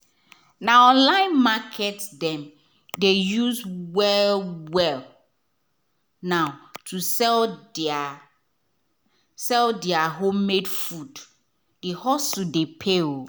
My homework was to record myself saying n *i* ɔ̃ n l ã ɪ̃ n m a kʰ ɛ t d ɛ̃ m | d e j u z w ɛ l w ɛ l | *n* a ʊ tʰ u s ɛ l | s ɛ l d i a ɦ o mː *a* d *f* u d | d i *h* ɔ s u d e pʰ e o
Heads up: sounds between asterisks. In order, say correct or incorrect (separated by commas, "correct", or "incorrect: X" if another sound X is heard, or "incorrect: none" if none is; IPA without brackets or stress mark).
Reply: incorrect: a, correct, incorrect: e, correct, correct